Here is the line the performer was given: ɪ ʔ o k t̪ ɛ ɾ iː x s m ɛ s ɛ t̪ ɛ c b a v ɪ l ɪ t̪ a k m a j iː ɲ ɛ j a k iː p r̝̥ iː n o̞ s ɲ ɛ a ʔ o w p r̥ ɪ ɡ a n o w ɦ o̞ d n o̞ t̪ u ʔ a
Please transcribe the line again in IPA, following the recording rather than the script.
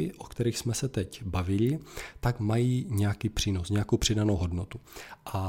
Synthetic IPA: ɪ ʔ o k t̪ ɛ ɾ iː x s m ɛ s ɛ t̪ ɛ c b a v ɪ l ɪ t̪ a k m a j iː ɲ ɛ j a k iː p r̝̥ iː n o̞ s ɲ ɛ a k o w p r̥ ɪ d a n o w ɦ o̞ d n o̞ t̪ u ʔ a